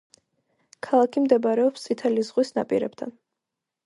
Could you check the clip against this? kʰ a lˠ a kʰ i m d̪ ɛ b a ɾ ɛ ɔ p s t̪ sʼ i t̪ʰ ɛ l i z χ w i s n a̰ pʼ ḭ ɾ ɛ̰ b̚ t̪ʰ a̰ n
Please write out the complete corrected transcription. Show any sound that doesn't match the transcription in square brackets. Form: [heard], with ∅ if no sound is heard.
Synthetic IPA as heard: kʰ a lˠ a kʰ i m d̪ ɛ b a ɾ ɛ ɔ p s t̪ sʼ i t̪ʰ ɛ l i z [ʁ] w i s n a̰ pʼ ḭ ɾ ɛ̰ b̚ t̪ʰ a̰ n

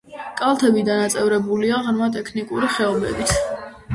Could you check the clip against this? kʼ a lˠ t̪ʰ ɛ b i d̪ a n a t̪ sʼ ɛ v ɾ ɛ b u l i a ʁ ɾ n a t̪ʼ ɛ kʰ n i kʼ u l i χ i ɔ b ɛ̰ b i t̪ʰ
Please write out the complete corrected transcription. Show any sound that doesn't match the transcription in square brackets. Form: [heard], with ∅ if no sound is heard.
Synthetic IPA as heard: kʼ a lˠ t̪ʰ ɛ b i d̪ a n a t̪ sʼ ɛ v ɾ ɛ b u l i a ʁ ɾ [m] a t̪ʼ ɛ kʰ n i kʼ u [ɾ] i χ [ɛ] ɔ b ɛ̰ b i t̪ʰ

